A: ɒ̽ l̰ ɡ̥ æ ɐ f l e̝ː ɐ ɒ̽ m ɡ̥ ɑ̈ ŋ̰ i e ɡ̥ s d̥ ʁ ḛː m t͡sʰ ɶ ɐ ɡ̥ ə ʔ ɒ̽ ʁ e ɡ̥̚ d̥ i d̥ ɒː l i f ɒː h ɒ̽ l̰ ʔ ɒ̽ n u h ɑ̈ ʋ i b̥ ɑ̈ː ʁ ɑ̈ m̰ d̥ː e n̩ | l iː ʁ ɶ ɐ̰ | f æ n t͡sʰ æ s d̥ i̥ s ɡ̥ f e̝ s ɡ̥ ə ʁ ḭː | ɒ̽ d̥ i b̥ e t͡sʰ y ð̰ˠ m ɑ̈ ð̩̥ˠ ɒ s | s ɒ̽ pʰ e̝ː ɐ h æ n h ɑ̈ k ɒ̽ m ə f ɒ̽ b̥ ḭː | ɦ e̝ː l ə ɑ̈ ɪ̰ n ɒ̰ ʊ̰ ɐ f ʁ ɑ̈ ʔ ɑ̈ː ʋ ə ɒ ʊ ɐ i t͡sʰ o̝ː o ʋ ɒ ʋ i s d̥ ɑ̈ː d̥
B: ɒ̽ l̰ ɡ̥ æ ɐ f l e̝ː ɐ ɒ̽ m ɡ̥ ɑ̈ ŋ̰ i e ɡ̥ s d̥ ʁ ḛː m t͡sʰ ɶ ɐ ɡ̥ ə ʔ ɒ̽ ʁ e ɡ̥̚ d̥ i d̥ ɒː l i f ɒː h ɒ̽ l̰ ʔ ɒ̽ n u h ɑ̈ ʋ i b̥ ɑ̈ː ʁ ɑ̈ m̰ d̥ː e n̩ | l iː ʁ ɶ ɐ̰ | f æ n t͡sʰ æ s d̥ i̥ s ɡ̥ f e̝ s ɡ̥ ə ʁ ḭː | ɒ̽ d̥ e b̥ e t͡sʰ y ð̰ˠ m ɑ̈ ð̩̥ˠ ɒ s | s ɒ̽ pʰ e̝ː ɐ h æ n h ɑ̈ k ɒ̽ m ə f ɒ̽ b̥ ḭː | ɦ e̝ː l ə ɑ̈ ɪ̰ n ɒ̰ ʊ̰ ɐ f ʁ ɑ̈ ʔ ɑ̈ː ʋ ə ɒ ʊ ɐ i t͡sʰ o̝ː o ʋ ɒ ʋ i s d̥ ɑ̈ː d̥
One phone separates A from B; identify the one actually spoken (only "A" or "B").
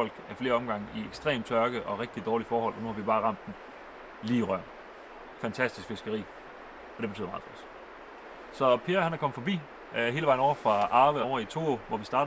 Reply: B